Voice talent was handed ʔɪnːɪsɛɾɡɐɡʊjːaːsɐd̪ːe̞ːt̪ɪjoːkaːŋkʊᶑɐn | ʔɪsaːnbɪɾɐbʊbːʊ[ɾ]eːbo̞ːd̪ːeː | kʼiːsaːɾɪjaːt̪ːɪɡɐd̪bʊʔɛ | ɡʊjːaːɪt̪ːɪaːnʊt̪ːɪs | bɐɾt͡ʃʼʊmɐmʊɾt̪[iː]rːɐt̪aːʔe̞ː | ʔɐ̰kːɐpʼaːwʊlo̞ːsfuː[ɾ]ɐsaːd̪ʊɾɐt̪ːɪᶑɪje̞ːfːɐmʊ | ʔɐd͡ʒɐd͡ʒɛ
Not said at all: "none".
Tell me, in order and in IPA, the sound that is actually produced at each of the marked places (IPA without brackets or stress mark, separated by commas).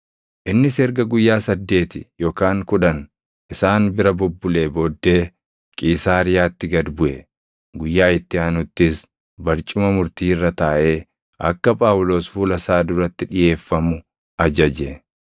l, iː, l